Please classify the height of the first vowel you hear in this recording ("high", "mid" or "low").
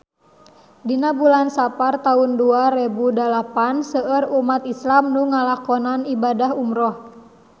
high